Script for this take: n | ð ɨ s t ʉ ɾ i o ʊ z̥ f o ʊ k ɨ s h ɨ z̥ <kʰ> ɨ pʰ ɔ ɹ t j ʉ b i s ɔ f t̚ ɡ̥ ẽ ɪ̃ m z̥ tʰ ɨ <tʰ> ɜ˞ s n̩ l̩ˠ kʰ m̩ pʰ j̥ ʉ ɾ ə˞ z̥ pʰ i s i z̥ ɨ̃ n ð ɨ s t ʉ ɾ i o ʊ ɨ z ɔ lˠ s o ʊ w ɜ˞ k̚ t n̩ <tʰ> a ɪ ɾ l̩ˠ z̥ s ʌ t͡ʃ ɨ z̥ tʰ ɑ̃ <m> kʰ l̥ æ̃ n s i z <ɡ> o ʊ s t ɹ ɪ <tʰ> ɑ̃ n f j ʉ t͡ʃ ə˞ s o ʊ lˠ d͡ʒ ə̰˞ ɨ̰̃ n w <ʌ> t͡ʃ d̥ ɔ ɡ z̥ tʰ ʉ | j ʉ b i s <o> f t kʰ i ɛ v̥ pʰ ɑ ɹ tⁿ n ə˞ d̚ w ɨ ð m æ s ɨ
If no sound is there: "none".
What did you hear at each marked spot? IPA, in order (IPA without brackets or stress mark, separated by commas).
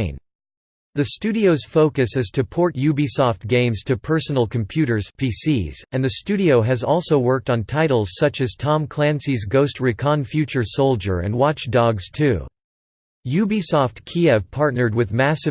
tʰ, pʰ, tʰ, m, ɡ, kʰ, ɑ, ɔ